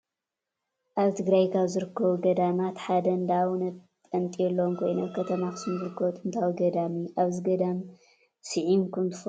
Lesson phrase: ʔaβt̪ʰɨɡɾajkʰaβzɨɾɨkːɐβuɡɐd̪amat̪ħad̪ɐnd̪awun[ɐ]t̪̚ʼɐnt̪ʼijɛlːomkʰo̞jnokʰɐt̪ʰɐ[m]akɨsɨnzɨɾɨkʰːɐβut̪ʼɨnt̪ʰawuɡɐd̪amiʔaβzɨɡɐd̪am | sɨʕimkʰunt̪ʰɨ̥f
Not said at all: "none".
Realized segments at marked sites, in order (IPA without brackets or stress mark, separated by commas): ɐ, m